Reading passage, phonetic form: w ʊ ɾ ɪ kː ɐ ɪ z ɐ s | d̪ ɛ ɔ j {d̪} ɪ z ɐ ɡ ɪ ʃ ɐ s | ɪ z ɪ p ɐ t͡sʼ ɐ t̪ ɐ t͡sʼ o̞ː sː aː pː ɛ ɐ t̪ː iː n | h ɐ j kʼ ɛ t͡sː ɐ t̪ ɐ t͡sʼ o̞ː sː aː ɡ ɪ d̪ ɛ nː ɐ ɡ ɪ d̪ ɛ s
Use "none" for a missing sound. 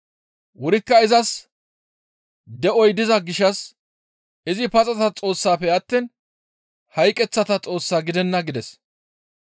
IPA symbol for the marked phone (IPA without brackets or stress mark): d̪